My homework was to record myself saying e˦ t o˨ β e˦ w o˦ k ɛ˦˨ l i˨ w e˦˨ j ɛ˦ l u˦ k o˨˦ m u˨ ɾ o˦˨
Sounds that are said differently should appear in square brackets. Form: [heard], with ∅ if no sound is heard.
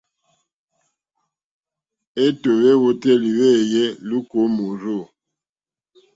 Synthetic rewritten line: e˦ t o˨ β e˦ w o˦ [t] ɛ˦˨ l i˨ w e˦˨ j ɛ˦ l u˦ k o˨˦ m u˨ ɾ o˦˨